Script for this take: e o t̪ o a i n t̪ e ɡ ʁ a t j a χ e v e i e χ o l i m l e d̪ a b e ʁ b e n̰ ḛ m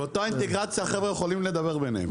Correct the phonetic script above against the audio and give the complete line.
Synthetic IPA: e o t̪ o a i n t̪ e ɡ ʁ a t͡s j a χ e v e j e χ o l i m l e d̪ a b e ʁ b e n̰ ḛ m